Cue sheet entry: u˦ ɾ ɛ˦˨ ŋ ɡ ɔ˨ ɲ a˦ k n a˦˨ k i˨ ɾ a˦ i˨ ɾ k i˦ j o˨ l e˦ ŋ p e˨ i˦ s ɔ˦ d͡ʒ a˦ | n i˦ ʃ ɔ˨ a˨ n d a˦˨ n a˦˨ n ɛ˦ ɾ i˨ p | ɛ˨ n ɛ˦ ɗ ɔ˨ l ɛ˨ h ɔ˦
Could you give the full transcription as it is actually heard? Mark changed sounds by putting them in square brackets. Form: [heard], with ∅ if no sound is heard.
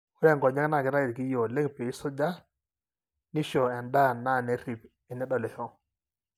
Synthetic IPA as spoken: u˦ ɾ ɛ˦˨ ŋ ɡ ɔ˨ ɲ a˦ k n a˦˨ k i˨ ɾ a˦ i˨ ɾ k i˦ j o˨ l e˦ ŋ p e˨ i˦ s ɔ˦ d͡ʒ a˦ | n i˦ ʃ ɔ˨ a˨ n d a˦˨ n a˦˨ n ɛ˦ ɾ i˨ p | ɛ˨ n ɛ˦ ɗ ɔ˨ l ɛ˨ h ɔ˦